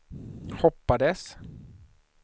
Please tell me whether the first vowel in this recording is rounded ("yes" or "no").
yes